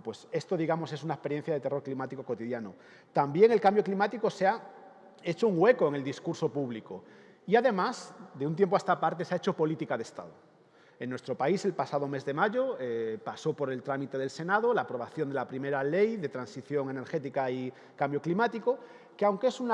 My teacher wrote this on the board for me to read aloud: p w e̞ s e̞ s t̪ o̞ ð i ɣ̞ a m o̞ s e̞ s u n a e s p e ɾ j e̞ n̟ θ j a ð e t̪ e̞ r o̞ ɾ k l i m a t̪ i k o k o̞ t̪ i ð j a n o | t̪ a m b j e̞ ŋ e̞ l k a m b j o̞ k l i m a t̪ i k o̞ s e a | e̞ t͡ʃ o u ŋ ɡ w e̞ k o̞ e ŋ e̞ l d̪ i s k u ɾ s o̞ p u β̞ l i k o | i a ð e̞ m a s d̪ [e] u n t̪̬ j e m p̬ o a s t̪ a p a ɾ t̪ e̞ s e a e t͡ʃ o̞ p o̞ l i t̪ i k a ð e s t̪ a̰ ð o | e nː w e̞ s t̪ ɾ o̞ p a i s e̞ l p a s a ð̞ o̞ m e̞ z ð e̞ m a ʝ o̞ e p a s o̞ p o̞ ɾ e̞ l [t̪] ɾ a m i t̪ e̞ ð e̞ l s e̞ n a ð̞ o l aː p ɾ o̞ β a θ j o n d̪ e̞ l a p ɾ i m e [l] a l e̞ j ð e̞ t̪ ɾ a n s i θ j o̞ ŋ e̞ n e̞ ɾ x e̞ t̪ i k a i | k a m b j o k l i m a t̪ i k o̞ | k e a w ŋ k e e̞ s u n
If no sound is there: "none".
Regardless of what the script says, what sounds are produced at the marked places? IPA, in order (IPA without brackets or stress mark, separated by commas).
e, t̪, ɾ